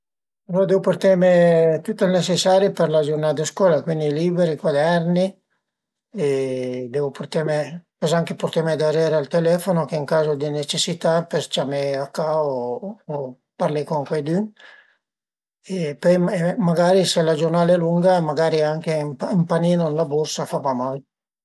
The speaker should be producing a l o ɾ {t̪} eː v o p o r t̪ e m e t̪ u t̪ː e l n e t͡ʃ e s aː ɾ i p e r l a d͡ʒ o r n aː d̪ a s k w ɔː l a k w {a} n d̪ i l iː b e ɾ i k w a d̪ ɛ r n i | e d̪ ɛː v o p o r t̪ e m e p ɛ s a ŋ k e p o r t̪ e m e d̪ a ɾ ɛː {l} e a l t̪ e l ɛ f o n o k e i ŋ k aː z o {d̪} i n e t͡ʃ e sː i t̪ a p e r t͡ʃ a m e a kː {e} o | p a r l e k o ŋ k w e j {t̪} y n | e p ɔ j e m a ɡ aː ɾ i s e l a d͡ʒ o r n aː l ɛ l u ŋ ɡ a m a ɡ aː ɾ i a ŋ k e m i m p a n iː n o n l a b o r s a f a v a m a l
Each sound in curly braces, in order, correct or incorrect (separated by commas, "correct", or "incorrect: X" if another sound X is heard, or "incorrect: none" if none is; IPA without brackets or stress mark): incorrect: d̪, incorrect: i, incorrect: ɾ, correct, incorrect: a, incorrect: d̪